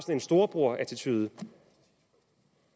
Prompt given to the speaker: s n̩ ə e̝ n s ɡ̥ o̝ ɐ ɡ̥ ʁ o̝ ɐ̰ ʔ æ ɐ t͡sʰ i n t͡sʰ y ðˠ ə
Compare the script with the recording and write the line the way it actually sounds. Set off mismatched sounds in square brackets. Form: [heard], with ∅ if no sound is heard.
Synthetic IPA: s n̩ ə e̝ n s [d̥] o̝ ɐ [b̥] ʁ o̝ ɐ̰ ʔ æ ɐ t͡sʰ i [∅] t͡sʰ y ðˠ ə